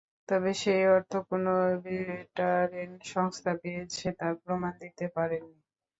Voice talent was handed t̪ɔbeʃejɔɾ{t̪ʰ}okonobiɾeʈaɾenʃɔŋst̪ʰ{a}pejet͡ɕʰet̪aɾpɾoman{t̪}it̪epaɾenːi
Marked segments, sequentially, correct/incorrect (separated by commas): correct, correct, incorrect